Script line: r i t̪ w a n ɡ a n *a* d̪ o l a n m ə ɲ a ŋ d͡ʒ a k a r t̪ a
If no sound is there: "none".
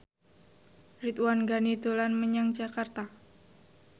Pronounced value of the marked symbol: i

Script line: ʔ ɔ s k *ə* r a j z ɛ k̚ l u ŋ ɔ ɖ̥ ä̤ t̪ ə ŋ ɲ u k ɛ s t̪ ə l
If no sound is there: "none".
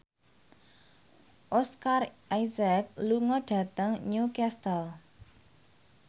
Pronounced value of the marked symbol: a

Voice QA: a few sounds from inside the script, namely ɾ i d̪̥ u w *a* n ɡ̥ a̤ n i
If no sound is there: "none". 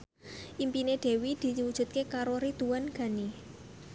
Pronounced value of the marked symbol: a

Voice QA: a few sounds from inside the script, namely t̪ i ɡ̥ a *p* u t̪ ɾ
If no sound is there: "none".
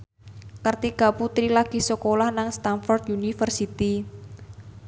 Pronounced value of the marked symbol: p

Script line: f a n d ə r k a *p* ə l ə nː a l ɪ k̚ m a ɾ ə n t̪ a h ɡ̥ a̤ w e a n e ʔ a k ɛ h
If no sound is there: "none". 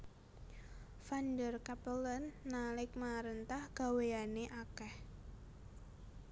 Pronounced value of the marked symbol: p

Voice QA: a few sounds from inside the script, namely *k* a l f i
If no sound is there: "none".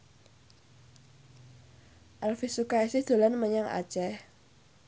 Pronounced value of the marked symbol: ʔ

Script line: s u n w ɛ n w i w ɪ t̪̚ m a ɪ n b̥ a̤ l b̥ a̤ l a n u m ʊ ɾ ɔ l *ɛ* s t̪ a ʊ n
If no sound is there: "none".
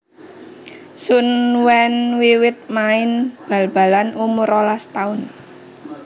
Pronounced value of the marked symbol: a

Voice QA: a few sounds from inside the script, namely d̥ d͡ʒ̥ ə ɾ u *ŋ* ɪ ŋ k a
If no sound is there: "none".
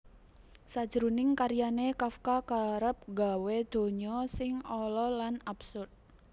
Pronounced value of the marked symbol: n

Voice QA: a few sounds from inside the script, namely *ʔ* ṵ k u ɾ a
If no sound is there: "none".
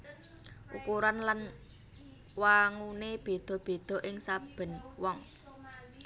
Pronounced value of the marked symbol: ʔ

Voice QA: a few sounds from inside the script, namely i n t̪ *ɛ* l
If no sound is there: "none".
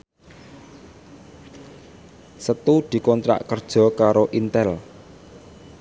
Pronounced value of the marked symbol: ɛ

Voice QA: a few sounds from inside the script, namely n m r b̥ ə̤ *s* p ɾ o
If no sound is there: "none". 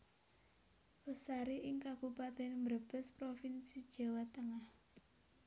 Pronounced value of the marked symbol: s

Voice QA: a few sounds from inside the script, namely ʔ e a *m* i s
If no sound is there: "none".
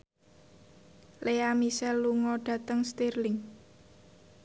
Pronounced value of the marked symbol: m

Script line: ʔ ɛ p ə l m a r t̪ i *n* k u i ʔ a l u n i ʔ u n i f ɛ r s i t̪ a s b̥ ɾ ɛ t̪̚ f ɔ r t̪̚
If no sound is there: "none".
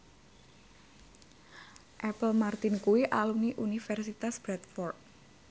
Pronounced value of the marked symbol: n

